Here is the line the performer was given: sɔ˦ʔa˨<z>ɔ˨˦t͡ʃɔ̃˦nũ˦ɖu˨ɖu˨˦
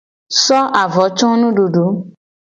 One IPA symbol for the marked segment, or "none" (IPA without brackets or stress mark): v